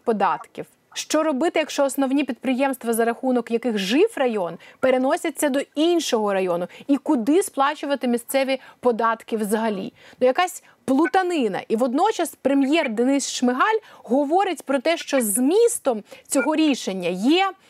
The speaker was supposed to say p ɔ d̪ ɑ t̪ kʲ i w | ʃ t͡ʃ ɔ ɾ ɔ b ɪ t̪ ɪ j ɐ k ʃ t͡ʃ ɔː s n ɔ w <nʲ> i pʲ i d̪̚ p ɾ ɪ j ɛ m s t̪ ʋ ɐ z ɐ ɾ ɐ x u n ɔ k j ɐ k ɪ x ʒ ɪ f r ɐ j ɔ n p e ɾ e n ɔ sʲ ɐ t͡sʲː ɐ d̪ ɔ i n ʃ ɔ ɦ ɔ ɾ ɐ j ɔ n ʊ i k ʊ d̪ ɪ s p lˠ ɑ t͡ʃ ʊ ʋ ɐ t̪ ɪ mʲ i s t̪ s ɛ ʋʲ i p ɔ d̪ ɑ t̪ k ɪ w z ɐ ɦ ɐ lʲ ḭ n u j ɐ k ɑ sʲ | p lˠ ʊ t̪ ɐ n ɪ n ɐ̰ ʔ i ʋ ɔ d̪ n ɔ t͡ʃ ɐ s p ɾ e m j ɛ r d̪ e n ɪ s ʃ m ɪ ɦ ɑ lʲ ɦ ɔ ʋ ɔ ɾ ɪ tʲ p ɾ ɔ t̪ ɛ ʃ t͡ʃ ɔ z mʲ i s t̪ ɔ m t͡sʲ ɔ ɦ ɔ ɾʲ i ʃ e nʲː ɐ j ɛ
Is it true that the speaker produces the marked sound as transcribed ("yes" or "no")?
yes